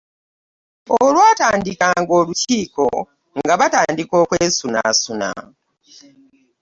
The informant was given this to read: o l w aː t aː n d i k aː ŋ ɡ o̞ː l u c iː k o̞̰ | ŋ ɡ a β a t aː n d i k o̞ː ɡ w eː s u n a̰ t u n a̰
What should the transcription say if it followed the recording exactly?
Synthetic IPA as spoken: o l w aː t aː n d i k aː ŋ ɡ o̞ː l u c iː k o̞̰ | ŋ ɡ a β a t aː n d i k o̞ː k w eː s u n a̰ s u n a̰